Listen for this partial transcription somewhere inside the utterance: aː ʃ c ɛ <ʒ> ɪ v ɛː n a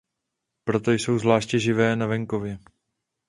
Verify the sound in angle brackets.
correct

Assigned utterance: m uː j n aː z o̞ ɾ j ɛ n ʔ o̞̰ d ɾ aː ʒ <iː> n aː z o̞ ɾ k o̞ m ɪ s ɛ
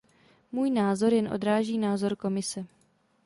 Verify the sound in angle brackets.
correct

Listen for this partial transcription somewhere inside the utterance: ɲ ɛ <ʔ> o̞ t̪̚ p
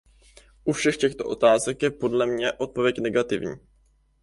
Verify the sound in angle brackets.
correct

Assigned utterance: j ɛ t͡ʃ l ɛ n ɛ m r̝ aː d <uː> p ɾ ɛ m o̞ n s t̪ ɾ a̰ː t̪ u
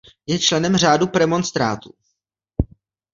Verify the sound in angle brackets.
incorrect: u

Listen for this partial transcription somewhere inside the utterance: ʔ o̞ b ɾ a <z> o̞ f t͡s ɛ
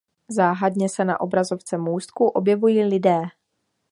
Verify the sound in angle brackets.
correct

